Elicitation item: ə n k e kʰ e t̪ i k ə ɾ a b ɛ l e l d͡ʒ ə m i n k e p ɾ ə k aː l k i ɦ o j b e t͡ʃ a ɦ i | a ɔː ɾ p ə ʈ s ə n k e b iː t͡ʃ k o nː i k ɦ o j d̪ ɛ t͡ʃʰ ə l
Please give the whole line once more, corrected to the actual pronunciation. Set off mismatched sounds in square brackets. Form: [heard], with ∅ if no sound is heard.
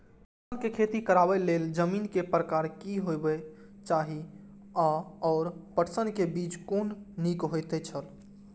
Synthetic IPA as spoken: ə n k e kʰ e t̪ i k ə ɾ a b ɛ l e l d͡ʒ ə m i n k e p ɾ ə k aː [ɾ] k i ɦ o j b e t͡ʃ a ɦ i | a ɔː ɾ p ə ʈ s ə n k e b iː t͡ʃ k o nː i k ɦ o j [t̪] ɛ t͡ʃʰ ə l

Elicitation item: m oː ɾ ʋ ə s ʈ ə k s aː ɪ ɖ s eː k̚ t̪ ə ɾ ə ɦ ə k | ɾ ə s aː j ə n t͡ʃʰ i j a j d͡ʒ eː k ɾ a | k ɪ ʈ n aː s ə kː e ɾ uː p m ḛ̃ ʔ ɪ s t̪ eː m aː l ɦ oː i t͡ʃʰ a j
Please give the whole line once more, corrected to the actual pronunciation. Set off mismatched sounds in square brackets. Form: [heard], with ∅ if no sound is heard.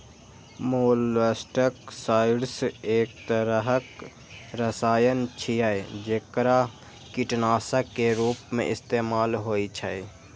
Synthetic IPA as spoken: m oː [l] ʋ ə s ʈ ə k s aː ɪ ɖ s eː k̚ t̪ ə ɾ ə ɦ ə k | ɾ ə s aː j ə n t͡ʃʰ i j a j d͡ʒ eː k ɾ a | k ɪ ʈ n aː s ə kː e ɾ uː p m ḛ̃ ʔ ɪ s t̪ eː m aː l ɦ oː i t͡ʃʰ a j

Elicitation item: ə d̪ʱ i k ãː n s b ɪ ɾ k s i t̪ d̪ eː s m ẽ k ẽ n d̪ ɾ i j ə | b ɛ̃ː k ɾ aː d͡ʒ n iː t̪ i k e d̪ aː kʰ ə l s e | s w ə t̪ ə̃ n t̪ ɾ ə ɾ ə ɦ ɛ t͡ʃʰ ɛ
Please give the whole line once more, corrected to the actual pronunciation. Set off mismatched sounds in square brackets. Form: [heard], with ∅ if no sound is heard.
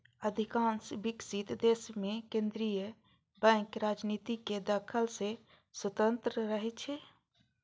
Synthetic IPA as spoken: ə d̪ʱ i k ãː n s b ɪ [∅] k s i t̪ d̪ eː s m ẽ k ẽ n d̪ ɾ i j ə | b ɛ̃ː k ɾ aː d͡ʒ n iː t̪ i k e d̪ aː kʰ ə l s e | s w ə t̪ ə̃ n t̪ ɾ ə ɾ ə ɦ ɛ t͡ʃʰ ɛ

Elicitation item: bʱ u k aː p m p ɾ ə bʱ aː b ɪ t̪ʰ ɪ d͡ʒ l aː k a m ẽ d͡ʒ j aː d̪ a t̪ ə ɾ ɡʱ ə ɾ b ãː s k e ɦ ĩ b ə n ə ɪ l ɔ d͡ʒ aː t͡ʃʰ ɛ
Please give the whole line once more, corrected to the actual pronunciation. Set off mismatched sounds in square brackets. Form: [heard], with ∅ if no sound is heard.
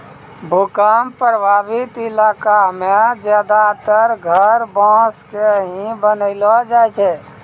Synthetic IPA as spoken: bʱ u k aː [∅] m p ɾ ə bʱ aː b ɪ [t̪] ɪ [∅] l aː k a m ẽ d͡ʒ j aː d̪ a t̪ ə ɾ ɡʱ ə ɾ b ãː s k e ɦ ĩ b ə n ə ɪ l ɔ d͡ʒ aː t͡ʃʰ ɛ

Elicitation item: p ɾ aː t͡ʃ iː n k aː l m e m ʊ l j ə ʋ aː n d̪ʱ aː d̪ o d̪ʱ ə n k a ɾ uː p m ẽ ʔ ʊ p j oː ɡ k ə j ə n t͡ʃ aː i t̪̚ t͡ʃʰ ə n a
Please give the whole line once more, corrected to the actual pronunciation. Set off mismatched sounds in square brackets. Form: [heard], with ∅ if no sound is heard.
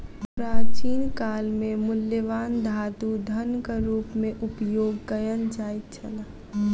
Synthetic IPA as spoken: p ɾ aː t͡ʃ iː n k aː l m e m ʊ l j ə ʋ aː n d̪ʱ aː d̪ [u] d̪ʱ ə n k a ɾ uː p m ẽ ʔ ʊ p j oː ɡ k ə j ə n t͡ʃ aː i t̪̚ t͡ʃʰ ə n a

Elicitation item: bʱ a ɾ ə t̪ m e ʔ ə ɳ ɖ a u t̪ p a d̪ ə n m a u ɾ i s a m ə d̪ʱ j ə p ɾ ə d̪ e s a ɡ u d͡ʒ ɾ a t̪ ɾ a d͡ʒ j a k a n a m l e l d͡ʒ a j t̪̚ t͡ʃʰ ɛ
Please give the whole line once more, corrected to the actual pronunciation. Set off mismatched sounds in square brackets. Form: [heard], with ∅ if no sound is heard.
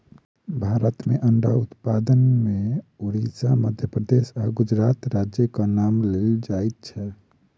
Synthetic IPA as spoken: bʱ a ɾ ə t̪ m e ʔ ə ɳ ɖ a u t̪ p a d̪ ə n m [e] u ɾ i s a m ə d̪ʱ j ə p ɾ ə d̪ e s a ɡ u d͡ʒ ɾ a t̪ ɾ a d͡ʒ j [ə] k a n a m l e l d͡ʒ a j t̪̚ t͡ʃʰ ɛ

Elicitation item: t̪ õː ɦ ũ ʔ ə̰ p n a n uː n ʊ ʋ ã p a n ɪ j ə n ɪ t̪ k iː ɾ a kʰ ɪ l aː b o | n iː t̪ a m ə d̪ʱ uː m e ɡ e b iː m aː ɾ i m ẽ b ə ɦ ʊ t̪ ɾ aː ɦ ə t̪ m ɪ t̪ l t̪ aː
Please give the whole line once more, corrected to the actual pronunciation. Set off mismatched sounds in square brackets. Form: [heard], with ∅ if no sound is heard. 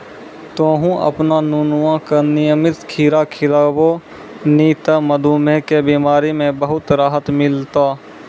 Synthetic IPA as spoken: t̪ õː ɦ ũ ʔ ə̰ p n a n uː n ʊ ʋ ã [k] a n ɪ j ə [m] ɪ t̪ [kʰ] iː ɾ a kʰ ɪ l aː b o | n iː t̪ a m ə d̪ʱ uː m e [k] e b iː m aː ɾ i m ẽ b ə ɦ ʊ t̪ ɾ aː ɦ ə t̪ m ɪ [∅] l t̪ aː

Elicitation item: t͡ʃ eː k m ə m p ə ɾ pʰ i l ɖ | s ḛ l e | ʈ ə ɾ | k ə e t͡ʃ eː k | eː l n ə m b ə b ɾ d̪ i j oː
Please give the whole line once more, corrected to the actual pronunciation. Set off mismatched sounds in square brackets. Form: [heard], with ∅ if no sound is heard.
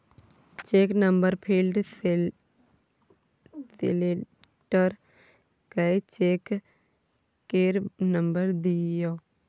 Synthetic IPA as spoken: t͡ʃ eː k [n] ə m [b] ə ɾ pʰ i l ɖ | s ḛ l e | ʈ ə ɾ | k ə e t͡ʃ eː k | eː [ɾ] n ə m b ə [∅] ɾ d̪ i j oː

